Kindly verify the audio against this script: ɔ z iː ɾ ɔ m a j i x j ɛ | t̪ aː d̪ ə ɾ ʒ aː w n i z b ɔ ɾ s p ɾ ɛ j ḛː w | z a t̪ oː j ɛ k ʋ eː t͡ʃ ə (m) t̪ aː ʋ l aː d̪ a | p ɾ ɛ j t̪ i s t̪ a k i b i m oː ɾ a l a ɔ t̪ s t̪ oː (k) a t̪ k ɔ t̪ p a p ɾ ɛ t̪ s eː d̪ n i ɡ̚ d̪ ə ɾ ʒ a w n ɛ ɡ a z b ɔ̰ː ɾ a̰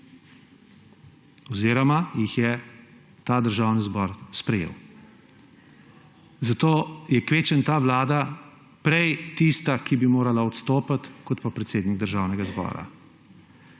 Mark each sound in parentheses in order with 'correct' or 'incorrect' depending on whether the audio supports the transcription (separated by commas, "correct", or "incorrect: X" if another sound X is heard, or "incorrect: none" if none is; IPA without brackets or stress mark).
incorrect: n, incorrect: p